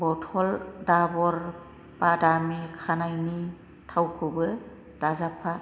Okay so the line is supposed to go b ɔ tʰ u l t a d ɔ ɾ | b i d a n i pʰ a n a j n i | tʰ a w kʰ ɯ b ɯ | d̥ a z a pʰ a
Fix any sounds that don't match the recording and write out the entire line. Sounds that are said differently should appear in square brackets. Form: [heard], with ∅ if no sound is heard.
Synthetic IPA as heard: b ɔ tʰ [ɔ] l [d] a [b] ɔ ɾ | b [a] d a [m] i [kʰ] a n a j n i | tʰ a w kʰ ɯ b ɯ | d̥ a z a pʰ a